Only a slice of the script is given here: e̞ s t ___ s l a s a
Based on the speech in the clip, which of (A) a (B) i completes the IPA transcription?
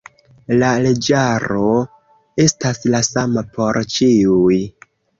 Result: A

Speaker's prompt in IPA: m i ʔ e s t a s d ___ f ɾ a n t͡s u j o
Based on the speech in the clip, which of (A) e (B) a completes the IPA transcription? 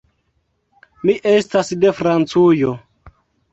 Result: A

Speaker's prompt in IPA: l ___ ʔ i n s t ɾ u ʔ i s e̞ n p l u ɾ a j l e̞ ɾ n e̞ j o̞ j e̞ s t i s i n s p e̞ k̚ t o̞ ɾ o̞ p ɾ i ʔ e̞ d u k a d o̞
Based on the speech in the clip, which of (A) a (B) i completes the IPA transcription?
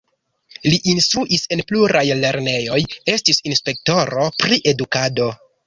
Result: B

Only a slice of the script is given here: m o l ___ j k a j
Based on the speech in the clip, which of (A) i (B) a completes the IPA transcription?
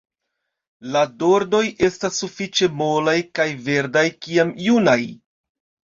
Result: B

